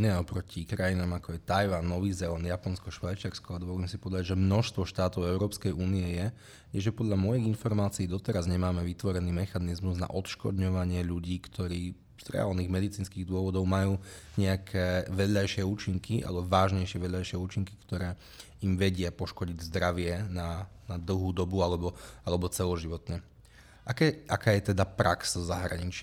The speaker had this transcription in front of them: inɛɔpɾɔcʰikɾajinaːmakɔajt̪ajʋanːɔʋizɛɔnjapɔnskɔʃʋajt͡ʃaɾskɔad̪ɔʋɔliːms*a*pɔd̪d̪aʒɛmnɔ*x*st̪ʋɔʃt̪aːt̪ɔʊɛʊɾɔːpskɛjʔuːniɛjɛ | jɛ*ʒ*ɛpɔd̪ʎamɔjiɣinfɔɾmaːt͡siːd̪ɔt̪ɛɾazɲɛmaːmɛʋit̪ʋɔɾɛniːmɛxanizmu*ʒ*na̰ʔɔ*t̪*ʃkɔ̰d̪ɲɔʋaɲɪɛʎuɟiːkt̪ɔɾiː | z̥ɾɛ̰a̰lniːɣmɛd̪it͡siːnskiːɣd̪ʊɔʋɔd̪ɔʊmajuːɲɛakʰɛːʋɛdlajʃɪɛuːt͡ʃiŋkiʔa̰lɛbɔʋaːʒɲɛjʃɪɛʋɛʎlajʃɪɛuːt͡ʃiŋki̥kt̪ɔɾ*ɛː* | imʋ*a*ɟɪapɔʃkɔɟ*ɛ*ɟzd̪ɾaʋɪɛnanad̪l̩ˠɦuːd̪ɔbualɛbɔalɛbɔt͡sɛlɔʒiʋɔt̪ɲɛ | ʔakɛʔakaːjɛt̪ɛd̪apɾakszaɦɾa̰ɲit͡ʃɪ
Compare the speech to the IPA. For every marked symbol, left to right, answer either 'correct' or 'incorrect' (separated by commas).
incorrect, incorrect, correct, incorrect, correct, correct, incorrect, incorrect